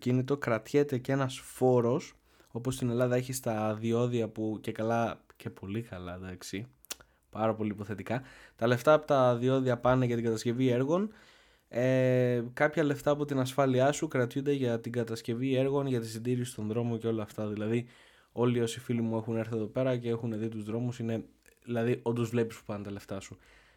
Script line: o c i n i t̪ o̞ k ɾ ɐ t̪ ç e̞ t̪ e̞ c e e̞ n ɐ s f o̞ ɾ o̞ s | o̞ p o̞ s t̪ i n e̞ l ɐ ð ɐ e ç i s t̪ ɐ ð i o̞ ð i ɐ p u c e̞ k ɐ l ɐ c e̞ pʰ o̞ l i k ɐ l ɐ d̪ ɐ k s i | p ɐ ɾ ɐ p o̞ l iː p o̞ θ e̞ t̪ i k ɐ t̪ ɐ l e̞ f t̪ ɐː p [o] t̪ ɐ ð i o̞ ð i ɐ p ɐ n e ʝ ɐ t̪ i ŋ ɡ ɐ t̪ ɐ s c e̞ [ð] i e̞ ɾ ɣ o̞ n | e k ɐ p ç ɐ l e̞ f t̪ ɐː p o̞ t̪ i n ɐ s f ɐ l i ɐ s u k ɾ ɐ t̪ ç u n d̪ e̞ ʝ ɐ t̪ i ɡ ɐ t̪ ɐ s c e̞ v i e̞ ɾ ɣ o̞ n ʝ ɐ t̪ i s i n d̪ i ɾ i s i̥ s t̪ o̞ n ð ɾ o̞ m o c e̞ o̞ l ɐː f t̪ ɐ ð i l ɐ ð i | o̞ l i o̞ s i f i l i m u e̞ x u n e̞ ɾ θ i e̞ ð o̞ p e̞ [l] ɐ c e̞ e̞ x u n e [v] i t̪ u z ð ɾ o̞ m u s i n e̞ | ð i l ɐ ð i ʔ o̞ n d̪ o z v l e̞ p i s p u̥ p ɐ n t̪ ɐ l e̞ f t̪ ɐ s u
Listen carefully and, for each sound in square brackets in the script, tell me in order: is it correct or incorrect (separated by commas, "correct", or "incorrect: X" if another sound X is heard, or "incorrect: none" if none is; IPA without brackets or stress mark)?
correct, incorrect: v, incorrect: ɾ, incorrect: ð